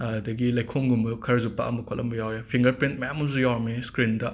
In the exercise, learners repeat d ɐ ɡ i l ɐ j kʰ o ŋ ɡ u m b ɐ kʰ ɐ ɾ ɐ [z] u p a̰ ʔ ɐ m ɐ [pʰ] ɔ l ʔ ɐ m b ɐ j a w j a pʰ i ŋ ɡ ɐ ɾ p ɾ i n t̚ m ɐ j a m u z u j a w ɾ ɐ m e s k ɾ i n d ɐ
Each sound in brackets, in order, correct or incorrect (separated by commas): correct, incorrect